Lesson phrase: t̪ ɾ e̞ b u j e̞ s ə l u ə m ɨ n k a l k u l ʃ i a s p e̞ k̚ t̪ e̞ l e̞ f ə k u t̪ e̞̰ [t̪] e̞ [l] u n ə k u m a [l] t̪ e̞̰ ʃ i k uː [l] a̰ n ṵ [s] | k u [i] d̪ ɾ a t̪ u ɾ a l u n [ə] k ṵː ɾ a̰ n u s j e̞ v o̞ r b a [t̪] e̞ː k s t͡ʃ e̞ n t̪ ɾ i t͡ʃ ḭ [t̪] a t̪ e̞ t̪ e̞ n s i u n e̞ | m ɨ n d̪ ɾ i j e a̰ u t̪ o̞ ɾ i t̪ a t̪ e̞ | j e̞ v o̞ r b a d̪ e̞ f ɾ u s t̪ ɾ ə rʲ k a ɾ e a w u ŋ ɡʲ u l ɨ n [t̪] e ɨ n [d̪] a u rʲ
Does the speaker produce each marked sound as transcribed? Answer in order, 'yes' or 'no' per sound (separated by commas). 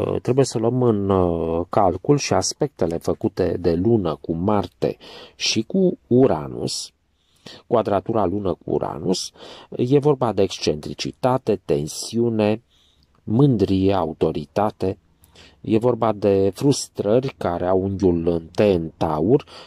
no, yes, no, no, yes, no, yes, no, yes, yes, no